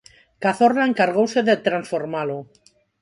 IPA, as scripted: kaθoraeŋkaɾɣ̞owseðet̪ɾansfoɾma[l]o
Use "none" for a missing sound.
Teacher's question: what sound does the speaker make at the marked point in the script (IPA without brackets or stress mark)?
l